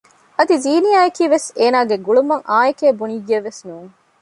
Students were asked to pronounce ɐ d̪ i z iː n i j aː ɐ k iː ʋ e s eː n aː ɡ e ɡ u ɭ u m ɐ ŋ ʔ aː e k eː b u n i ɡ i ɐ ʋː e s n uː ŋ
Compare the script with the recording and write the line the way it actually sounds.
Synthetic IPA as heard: ɐ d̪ i z iː n i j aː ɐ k iː ʋ e s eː n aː ɡ e ɡ u ɭ u m ɐ ŋ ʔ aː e k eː b u n i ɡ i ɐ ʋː e s n uː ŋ